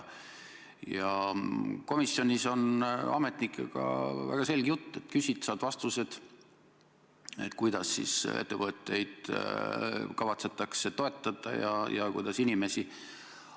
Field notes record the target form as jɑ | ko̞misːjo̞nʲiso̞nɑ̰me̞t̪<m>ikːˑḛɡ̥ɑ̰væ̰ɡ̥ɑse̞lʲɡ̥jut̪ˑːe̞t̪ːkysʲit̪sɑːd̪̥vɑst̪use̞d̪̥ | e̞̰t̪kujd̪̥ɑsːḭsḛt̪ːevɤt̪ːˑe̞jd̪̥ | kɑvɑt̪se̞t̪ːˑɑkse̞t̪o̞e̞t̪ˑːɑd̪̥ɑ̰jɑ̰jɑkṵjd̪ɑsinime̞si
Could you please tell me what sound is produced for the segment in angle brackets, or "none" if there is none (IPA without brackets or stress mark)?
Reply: n